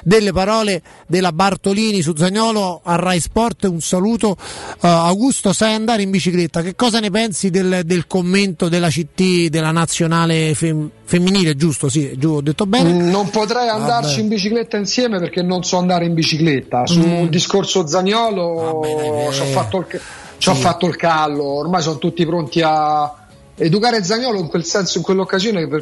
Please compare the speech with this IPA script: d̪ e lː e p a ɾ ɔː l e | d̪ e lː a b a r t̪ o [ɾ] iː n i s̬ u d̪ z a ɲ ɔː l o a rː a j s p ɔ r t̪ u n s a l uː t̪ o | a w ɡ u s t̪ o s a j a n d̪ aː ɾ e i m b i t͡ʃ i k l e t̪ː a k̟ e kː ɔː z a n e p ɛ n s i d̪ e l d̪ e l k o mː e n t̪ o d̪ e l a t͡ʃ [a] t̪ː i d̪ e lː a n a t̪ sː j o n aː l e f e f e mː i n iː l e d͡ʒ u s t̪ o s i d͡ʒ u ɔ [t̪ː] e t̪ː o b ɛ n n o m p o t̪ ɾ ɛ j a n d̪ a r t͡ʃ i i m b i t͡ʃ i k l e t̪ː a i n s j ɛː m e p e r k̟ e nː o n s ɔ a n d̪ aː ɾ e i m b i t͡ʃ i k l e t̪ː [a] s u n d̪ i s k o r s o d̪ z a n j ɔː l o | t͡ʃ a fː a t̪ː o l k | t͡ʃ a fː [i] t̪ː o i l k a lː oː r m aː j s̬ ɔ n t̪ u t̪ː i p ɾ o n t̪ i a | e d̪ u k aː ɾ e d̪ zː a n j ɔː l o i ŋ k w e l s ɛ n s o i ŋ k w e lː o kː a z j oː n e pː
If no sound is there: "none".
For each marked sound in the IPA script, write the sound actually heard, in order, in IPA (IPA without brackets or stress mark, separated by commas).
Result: l, i, d̪ː, a, a